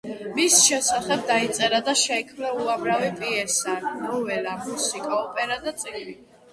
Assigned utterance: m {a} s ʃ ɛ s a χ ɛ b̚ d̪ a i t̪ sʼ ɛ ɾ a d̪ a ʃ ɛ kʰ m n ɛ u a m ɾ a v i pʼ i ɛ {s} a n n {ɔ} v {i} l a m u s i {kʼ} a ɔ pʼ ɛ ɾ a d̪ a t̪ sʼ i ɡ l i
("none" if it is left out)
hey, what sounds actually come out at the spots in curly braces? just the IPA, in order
i, s, ɔ, ɛ, kʼ

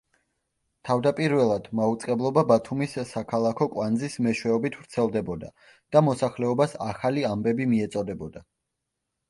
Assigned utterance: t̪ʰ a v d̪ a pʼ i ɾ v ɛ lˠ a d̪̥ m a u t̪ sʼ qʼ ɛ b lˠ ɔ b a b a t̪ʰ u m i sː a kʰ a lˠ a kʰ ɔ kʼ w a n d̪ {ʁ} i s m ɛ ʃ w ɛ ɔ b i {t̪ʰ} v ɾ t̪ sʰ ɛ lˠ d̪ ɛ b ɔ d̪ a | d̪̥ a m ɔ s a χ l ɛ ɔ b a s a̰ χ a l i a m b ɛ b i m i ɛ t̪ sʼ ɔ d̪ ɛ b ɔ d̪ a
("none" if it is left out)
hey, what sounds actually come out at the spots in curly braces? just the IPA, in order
z, t̪ʰ

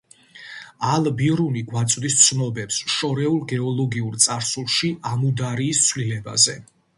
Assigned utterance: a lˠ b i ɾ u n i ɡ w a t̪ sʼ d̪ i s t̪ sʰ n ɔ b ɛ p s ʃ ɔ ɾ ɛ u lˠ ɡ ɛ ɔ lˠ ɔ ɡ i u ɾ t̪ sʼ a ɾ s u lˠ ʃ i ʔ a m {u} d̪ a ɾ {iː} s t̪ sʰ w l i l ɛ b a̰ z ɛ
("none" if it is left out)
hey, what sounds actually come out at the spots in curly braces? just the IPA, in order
u, iː

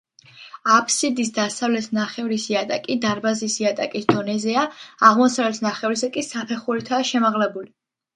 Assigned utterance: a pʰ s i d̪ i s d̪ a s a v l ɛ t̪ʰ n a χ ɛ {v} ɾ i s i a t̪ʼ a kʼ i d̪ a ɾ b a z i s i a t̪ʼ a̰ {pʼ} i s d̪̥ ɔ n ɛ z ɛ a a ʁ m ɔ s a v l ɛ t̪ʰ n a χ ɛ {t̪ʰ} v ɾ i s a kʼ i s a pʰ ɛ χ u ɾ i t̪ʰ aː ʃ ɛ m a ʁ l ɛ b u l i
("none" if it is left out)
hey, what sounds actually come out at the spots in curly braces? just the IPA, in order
v, kʼ, none

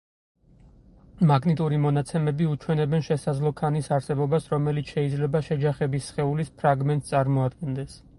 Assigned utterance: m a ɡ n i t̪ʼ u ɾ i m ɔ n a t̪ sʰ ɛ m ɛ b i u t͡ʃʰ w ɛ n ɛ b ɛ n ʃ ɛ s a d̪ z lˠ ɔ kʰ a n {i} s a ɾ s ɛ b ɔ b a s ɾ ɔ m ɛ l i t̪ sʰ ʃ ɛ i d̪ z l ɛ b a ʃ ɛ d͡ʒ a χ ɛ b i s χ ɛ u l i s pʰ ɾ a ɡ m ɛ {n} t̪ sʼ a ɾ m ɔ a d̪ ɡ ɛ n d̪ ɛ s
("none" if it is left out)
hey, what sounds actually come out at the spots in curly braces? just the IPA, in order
i, n

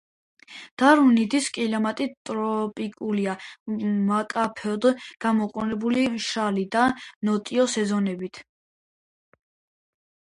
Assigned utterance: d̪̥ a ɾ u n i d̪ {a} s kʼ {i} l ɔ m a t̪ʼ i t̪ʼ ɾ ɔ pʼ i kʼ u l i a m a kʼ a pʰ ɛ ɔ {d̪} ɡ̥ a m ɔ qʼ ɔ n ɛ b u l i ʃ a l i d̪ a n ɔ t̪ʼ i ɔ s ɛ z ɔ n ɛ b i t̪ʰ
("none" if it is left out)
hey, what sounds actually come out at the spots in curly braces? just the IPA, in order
i, i, d̪

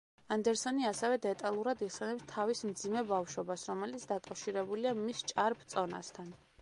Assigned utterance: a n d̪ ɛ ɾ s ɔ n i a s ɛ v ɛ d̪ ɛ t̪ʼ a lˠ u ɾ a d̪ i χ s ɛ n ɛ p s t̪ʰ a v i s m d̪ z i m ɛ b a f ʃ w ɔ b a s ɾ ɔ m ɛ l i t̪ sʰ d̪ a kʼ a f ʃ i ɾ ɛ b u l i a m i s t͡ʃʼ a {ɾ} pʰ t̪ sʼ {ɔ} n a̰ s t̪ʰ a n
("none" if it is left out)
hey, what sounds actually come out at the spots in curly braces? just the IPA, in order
ɾ, ɔ

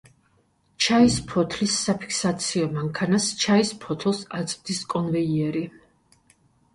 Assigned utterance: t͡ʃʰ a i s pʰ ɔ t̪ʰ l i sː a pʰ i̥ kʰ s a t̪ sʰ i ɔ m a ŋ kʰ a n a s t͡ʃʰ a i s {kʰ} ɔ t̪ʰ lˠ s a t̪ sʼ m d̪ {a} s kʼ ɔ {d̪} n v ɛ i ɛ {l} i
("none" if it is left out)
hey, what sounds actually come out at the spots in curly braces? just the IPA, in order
pʰ, i, none, ɾ

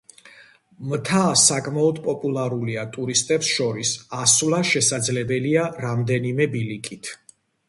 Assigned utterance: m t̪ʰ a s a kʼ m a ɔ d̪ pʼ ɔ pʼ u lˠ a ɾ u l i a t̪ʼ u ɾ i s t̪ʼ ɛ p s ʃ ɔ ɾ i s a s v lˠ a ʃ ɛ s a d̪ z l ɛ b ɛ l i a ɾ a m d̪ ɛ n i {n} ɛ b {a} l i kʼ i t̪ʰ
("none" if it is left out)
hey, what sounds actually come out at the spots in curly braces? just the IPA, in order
m, i

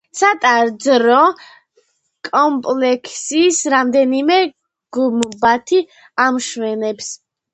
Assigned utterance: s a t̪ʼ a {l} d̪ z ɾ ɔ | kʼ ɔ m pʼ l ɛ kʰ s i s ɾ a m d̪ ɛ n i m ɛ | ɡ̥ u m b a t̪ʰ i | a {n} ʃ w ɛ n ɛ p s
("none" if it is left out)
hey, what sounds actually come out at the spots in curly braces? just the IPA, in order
ɾ, m

